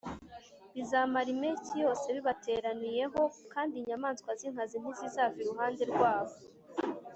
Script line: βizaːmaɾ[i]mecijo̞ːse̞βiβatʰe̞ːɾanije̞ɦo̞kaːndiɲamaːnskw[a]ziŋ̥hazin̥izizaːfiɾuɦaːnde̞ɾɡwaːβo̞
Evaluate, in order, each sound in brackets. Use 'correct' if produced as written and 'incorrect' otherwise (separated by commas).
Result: correct, correct